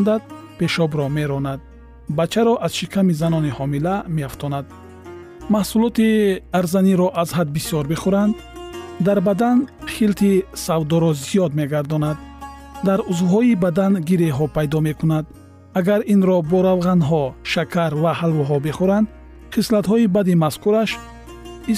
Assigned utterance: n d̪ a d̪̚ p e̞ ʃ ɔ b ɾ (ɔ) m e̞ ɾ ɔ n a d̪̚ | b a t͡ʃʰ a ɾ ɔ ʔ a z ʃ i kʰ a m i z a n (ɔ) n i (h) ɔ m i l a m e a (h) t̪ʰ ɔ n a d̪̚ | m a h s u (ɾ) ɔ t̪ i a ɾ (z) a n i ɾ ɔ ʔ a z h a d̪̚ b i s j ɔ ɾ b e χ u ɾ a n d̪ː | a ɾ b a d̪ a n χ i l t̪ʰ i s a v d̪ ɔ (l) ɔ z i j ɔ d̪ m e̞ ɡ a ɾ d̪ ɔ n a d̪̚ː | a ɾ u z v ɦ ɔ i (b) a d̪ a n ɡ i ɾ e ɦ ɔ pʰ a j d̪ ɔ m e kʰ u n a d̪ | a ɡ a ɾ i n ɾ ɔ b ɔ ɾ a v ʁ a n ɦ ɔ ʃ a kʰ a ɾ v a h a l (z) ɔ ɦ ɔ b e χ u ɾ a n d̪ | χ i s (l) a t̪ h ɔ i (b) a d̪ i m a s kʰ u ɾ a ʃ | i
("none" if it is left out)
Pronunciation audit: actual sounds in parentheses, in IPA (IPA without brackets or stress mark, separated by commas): ɔ, ɔ, h, f, l, z, ɾ, b, v, l, b